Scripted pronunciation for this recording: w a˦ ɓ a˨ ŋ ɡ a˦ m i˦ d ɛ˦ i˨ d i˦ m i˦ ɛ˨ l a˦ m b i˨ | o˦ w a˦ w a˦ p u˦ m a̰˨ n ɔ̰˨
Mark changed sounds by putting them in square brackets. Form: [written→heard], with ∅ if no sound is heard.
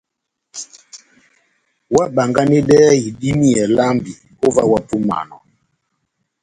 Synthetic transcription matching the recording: w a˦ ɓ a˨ ŋ ɡ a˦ [m→n] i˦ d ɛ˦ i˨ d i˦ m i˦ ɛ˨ l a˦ m b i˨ | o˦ [w→v] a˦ w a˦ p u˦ m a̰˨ n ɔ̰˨